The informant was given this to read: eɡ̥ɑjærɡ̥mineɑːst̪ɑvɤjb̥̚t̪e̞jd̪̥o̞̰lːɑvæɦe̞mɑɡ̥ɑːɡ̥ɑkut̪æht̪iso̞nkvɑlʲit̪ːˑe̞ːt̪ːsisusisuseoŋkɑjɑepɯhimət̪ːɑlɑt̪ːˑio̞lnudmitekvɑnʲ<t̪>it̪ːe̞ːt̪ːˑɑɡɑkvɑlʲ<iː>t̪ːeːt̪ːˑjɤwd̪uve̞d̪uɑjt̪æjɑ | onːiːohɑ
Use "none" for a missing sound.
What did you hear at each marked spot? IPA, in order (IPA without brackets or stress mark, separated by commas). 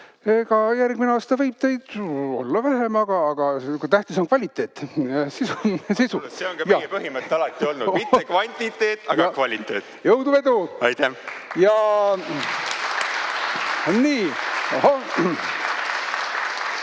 t̪, i